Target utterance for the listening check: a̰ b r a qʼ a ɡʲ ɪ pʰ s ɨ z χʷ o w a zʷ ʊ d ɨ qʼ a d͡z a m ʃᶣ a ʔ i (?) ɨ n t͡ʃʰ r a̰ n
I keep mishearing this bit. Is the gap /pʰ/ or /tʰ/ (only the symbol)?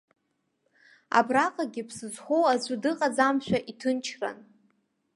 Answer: tʰ